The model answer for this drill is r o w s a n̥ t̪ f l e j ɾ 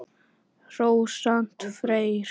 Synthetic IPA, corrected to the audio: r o w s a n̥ t̪ f ɾ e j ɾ